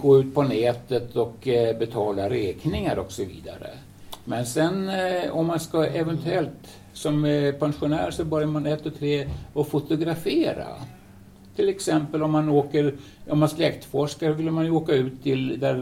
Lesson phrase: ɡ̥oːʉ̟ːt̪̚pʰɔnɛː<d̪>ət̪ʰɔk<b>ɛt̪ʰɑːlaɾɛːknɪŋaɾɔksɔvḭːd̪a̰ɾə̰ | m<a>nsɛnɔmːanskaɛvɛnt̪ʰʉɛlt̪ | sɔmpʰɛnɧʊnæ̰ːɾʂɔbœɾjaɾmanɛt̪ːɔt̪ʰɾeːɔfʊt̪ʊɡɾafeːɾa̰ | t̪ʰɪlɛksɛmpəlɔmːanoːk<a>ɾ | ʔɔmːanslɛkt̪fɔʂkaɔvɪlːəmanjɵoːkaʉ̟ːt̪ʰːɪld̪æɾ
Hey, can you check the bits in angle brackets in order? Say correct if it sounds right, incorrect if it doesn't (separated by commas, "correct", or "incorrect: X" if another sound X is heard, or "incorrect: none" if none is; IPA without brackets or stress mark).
incorrect: t̪, correct, incorrect: ɛ, incorrect: ə